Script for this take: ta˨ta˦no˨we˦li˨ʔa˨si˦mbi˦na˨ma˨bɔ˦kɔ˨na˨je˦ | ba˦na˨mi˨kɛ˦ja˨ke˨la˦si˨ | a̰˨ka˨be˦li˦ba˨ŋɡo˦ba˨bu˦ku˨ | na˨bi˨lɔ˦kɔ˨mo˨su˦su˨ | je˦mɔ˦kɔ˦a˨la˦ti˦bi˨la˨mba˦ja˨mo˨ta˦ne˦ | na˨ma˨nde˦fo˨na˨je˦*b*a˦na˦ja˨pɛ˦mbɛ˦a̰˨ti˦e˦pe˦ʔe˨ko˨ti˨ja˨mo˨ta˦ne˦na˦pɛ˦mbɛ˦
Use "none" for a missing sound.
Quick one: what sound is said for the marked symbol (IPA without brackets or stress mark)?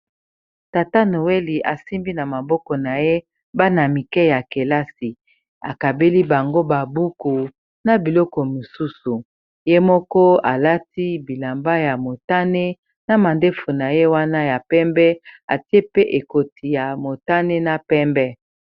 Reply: w